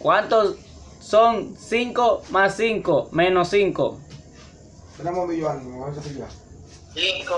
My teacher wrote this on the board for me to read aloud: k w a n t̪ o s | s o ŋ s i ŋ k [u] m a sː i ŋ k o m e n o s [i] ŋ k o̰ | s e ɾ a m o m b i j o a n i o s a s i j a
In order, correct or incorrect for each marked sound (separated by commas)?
incorrect, correct